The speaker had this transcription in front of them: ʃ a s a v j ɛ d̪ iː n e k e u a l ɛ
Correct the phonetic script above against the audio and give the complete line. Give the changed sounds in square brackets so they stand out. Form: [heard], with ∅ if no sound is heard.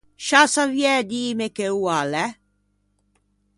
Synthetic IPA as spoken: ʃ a s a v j ɛ d̪ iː [m] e k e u a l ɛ

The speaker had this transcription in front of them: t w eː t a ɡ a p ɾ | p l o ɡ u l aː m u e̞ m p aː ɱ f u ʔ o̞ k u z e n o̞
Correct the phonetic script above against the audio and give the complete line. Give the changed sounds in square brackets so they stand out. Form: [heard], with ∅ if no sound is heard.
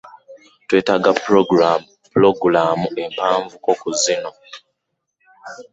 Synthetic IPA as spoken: t w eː t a ɡ a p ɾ | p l o ɡ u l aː m u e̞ m p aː ɱ [v] u [k] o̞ k u z [i] n o̞

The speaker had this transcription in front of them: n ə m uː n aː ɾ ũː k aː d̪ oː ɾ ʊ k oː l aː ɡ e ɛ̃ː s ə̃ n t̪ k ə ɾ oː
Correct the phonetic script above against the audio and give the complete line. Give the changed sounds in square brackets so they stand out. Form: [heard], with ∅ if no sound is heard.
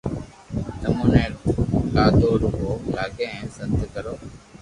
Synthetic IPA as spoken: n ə m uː n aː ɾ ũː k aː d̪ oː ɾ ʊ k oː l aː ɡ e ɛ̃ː s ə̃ n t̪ k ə ɾ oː

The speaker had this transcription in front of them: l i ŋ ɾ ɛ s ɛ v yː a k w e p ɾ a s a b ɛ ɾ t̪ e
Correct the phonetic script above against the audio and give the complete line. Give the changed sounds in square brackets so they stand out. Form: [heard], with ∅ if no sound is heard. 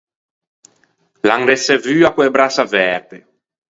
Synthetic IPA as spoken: l [a] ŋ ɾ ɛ s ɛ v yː a k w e [b] ɾ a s a [v] ɛ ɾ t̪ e

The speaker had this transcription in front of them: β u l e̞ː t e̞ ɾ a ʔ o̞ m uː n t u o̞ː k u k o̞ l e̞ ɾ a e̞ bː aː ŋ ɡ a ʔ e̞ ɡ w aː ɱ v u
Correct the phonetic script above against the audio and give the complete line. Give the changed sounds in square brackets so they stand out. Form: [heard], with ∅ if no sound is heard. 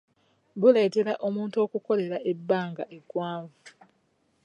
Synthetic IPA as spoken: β u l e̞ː t e̞ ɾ a ʔ o̞ m uː n t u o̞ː k u k o̞ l e̞ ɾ a e̞ bː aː ŋ ɡ a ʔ e̞ ɡ w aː ɱ v u

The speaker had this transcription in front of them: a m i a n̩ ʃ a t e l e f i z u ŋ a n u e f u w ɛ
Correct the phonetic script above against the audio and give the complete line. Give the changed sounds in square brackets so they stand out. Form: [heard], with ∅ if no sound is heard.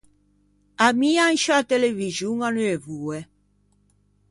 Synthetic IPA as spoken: a m i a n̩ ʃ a t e l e [v] i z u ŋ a n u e [v] u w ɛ

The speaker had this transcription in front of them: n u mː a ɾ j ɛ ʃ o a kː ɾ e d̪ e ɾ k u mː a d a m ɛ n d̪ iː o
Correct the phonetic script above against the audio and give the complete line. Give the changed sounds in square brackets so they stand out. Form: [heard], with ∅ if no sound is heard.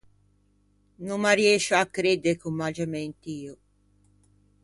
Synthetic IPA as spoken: n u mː a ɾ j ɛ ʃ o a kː ɾ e d̪ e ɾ k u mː a [d͡ʒ] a m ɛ n [t̪] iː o

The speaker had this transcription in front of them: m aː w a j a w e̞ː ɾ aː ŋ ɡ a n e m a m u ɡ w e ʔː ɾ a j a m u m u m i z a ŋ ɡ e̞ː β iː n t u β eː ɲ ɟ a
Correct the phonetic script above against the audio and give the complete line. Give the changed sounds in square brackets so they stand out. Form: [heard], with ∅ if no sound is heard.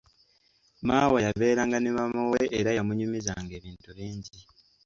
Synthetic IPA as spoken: m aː w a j a [β] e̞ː ɾ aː ŋ ɡ a n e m a m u [∅] w e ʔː ɾ a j a m u [ɲ] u m i z a ŋ ɡ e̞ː β iː n t u β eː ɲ ɟ [i]

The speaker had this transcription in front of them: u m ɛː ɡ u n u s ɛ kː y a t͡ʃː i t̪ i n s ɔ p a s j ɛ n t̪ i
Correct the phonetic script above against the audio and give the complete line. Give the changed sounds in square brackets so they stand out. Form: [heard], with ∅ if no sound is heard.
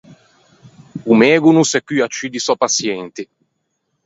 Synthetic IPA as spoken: u m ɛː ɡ u n u s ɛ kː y a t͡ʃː i [d̪] i [∅] s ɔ p a s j ɛ n t̪ i

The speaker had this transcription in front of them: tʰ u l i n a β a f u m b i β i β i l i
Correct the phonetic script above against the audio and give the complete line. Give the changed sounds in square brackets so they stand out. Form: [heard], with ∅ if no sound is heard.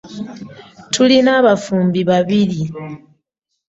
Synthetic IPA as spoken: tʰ u l i n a β a f [uː] m b i β [a] β i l i

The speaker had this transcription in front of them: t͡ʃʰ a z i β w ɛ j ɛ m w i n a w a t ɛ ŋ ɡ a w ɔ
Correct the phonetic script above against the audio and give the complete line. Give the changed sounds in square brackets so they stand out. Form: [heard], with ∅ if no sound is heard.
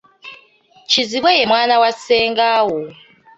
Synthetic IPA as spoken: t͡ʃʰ [i] z i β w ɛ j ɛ m w [a] n a w a [s] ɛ ŋ ɡ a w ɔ

